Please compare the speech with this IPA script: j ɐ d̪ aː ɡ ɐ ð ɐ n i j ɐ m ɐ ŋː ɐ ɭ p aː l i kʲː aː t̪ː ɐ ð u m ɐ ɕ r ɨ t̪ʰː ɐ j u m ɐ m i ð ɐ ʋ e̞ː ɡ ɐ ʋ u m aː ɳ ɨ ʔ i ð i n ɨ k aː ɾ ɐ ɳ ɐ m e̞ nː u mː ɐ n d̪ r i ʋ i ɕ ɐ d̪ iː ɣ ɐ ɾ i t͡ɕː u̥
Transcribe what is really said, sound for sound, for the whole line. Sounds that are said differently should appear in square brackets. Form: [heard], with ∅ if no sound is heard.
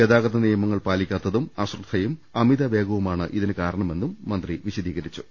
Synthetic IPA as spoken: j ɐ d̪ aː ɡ ɐ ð ɐ n i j ɐ m ɐ ŋː ɐ ɭ p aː l i kʲː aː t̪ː ɐ ð u m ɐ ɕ r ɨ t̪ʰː ɐ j u m ɐ m i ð ɐ ʋ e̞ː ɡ ɐ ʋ u m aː ɳ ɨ ʔ i ð i n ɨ k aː ɾ ɐ ɳ ɐ m e̞ nː u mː ɐ n d̪ r i ʋ i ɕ ɐ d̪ iː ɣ ɐ ɾ i t͡ɕː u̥